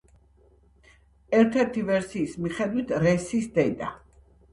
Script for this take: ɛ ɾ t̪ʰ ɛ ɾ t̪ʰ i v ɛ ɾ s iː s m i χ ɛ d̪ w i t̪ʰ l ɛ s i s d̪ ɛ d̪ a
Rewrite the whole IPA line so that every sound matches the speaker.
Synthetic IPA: ɛ ɾ t̪ʰ ɛ ɾ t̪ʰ i v ɛ ɾ s iː s m i χ ɛ d̪ w i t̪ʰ ɾ ɛ s i s d̪ ɛ d̪ a